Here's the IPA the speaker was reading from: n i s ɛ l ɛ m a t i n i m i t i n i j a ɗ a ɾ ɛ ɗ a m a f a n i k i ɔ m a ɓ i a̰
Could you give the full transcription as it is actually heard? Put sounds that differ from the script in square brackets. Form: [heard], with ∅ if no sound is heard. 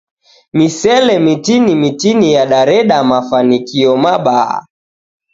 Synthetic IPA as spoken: [m] i s ɛ l ɛ m [i] t i n i m i t i n i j a ɗ a ɾ ɛ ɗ a m a f a n i k i ɔ m a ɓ [a] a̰